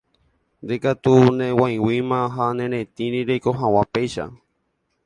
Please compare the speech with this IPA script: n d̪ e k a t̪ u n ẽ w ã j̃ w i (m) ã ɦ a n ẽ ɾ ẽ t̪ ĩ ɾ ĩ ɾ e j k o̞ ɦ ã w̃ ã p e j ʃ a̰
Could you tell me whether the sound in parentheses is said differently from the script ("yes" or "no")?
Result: no